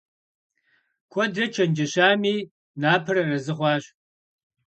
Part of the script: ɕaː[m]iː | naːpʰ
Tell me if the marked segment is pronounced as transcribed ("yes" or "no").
yes